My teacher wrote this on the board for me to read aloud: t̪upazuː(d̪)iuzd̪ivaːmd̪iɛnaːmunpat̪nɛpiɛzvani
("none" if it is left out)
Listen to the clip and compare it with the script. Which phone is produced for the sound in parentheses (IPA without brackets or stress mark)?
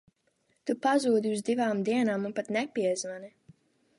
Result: d̪